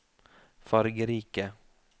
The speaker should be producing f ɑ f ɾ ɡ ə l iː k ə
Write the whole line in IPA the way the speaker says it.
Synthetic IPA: f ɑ ɾ ɡ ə ɾ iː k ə